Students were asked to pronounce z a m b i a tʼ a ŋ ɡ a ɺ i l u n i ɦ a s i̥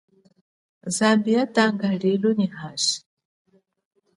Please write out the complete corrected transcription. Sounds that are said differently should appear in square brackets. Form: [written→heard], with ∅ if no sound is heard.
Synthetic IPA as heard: z a m b i a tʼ a ŋ ɡ a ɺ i l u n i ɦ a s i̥